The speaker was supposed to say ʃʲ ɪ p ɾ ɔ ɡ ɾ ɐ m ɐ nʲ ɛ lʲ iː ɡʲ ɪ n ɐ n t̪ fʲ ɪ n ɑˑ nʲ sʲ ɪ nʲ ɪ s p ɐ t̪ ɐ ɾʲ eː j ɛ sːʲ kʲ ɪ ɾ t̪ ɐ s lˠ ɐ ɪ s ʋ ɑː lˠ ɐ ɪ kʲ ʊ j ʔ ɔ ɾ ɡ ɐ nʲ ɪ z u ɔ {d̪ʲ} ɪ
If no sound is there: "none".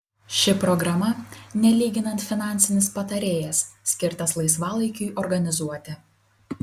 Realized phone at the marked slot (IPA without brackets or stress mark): t̪ʲ